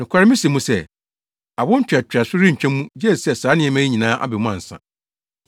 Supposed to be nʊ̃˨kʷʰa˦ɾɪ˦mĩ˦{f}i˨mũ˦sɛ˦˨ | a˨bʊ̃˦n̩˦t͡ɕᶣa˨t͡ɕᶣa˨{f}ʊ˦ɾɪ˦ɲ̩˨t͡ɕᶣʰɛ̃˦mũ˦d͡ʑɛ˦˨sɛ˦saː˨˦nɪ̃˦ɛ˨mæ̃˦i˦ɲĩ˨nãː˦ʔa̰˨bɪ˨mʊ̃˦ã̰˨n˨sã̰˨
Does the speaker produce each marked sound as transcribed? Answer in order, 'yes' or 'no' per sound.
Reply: no, no

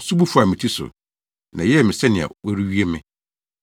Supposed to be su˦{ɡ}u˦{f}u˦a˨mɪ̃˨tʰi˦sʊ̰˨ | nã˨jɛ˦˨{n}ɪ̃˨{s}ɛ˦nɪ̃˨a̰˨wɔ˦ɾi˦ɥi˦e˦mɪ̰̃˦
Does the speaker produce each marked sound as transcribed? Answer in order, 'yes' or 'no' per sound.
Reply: no, yes, no, yes

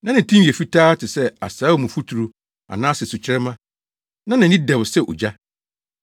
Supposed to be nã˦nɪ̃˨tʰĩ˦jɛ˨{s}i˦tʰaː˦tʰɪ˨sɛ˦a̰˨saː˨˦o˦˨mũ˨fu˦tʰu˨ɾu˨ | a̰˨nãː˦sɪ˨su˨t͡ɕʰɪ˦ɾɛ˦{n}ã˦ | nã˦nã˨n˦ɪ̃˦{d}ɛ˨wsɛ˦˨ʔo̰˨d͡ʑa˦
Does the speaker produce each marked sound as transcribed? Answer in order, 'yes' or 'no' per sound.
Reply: no, no, yes

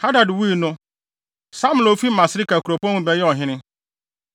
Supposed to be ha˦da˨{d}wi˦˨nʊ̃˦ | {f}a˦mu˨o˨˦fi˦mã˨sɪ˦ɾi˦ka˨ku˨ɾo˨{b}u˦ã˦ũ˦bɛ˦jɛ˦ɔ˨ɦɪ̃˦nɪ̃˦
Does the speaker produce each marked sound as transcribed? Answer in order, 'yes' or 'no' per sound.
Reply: yes, no, no

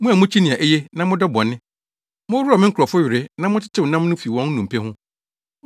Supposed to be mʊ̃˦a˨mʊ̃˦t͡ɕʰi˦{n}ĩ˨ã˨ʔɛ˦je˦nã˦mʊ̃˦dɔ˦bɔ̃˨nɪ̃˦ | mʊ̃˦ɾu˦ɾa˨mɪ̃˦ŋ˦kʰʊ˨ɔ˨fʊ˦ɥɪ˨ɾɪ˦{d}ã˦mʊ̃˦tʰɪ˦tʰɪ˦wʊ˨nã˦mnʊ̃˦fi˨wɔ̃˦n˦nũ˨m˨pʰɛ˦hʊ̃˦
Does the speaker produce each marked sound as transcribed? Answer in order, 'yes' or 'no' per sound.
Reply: yes, no

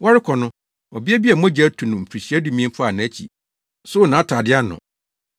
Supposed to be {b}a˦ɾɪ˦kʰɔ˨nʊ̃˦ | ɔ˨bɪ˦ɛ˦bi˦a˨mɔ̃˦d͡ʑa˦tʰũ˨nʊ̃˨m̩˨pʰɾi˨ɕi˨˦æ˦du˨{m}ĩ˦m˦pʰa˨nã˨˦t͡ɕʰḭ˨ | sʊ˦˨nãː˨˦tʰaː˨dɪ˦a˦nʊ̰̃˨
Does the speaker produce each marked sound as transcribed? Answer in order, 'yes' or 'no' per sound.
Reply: no, yes

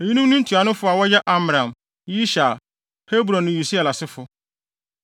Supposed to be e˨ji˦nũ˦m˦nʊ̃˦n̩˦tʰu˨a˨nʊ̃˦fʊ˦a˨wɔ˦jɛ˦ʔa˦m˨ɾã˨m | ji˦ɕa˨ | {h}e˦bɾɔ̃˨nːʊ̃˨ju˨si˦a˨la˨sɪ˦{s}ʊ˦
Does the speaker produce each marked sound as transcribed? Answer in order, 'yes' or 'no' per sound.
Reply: yes, no

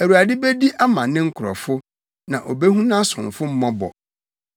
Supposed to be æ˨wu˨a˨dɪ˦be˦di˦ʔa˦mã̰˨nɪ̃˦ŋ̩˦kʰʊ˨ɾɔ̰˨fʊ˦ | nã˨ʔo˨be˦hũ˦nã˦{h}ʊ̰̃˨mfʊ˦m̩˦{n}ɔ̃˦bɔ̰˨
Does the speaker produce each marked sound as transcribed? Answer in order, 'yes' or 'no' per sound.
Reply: no, no

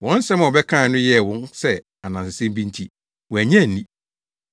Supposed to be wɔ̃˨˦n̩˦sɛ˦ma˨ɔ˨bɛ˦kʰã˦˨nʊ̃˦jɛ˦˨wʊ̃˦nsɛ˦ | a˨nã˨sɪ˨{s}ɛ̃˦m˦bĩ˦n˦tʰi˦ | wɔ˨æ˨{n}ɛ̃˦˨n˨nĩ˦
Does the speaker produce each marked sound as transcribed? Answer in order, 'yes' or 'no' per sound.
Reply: yes, no

